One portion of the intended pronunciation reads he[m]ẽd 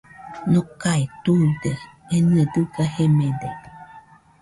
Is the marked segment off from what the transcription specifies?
no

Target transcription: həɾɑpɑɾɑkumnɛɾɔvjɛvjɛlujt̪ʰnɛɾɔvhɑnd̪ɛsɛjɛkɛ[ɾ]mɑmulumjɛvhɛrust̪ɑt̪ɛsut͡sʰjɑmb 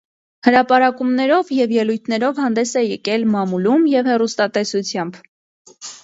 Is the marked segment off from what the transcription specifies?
yes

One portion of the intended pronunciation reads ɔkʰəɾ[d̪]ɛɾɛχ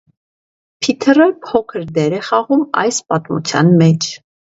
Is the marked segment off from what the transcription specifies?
no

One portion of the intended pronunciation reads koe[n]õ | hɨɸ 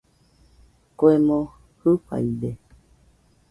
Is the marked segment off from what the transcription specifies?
yes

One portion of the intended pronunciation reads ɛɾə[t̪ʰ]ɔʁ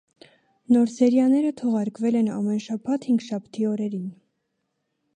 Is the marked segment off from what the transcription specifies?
no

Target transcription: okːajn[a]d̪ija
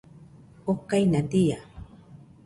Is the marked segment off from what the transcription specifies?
no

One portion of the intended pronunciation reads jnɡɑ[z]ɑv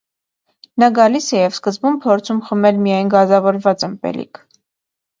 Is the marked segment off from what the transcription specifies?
no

